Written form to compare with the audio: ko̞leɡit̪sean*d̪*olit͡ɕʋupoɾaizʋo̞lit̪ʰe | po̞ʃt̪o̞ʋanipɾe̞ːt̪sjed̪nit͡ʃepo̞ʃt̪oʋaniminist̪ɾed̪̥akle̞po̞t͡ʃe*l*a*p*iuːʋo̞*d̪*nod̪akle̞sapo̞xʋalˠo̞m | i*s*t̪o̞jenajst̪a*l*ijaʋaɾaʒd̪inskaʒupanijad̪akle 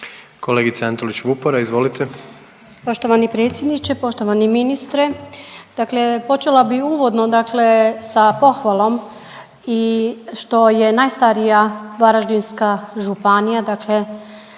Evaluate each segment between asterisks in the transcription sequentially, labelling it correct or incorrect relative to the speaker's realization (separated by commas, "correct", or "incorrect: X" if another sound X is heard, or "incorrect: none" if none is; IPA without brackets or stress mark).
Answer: incorrect: t̪, correct, incorrect: b, correct, incorrect: ʃ, incorrect: ɾ